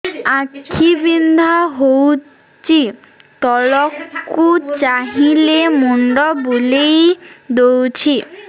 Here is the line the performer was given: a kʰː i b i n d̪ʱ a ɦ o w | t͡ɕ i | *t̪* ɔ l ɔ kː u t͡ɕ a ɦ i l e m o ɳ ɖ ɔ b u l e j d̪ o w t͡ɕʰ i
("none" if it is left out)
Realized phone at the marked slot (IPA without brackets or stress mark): t̪